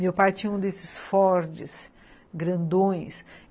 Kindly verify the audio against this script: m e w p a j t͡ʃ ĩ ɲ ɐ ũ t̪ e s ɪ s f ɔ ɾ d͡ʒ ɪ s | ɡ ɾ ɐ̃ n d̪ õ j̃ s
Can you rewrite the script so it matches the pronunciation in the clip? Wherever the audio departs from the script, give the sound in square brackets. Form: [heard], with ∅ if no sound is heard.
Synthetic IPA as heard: m e w p a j t͡ʃ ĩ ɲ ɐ ũ [d̪] e s ɪ s f ɔ ɾ d͡ʒ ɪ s | ɡ ɾ ɐ̃ n d̪ õ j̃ s